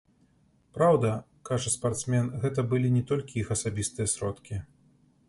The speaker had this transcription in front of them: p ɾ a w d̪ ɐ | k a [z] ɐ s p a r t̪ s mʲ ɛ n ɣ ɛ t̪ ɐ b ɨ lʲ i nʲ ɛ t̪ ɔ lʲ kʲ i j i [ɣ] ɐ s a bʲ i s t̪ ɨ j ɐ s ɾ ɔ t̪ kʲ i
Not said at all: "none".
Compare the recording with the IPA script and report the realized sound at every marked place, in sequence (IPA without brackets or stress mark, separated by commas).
ʐ, x